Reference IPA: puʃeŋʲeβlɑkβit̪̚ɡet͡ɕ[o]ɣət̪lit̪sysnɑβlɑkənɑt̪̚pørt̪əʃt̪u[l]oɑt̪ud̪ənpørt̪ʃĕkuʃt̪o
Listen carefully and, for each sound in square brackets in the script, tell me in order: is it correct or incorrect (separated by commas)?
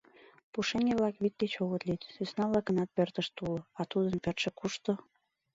correct, correct